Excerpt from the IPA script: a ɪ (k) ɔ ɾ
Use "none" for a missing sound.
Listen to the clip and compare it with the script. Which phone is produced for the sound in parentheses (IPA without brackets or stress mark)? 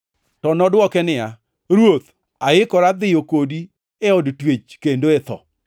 k